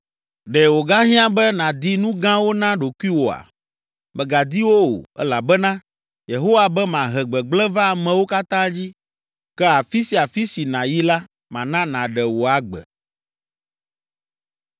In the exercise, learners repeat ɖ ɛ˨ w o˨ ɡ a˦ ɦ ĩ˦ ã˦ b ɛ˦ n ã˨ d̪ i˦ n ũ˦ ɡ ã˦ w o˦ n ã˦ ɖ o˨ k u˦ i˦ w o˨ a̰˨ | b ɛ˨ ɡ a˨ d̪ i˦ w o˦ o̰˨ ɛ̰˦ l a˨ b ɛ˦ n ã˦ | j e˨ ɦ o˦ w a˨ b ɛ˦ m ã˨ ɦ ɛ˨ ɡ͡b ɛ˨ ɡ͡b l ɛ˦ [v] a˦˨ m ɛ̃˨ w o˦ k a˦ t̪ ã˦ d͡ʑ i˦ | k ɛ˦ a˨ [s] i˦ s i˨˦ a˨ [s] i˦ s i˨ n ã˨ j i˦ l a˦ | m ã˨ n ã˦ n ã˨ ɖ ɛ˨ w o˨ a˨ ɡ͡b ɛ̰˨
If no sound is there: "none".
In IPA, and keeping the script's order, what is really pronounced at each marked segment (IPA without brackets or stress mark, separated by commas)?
v, f, f